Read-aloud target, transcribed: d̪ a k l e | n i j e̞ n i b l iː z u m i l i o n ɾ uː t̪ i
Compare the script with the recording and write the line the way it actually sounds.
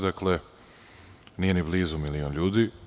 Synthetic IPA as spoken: d̪ a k l e | n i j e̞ n i b l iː z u m i l i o n ʎ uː d̪ i